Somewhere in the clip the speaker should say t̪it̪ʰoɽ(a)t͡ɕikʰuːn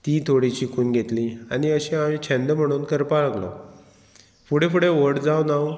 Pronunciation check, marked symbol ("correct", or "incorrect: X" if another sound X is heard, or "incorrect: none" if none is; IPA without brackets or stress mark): incorrect: i